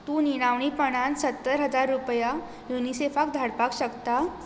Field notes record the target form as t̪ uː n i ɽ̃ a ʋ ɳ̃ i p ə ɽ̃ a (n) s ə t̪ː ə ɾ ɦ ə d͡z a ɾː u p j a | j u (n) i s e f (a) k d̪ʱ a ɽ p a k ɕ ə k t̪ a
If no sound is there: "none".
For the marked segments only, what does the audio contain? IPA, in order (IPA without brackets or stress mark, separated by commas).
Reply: n, n, a